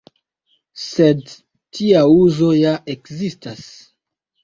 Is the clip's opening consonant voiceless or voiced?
voiceless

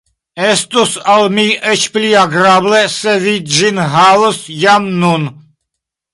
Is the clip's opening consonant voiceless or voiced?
voiceless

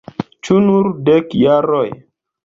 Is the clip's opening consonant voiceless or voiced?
voiceless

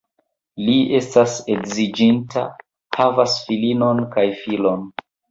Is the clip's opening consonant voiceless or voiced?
voiced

